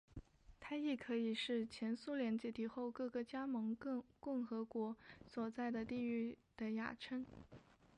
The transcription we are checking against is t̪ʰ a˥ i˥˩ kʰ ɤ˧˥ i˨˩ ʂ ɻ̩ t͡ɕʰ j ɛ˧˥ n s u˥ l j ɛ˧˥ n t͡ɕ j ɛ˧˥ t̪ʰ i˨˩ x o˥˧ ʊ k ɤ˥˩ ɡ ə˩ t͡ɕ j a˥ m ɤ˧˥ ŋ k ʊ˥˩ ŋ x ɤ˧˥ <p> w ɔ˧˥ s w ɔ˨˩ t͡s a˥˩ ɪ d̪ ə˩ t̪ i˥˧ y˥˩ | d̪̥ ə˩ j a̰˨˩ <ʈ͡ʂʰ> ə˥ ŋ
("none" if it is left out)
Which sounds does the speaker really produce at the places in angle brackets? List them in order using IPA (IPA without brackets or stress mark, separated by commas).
k, ʈ͡ʂʰ